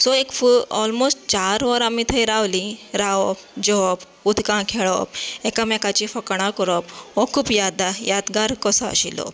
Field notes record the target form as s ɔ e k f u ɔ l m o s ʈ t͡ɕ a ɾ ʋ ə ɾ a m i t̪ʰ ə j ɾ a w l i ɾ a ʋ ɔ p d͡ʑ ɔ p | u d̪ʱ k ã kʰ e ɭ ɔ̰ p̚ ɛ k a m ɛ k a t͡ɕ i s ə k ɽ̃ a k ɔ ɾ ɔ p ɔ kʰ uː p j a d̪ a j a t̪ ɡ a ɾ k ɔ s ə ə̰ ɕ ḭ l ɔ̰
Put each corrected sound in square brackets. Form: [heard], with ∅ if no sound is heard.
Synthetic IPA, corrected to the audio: s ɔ e k f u ɔ l m o s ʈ t͡ɕ a ɾ ʋ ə ɾ a m i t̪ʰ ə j ɾ a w l i ɾ a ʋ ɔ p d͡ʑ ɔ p | u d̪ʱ k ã kʰ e ɭ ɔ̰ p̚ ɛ k a m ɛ k a t͡ɕ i [f] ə k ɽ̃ a k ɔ ɾ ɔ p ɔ kʰ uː p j a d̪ a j a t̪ ɡ a ɾ k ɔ s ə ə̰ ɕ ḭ l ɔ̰